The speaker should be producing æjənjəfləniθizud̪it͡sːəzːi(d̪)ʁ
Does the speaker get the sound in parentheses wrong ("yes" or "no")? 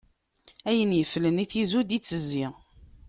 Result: yes